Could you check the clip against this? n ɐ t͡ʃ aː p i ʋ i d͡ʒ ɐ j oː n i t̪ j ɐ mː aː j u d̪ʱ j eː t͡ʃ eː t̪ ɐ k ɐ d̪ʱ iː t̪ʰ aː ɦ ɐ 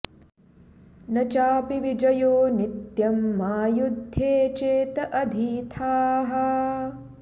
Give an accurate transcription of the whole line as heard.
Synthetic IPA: n ɐ t͡ʃ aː p i ʋ i d͡ʒ ɐ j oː n i t̪ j ɐ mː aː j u d̪ʱ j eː t͡ʃ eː t̪ ɐ ʔ ɐ d̪ʱ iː t̪ʰ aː ɦ ɐ